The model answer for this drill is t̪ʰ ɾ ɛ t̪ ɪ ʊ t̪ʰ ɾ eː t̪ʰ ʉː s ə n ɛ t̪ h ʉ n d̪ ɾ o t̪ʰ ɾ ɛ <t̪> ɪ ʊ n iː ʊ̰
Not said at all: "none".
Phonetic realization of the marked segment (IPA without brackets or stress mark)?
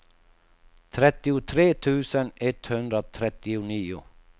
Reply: t̪